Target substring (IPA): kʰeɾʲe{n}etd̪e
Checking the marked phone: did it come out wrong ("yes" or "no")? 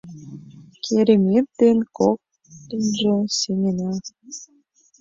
yes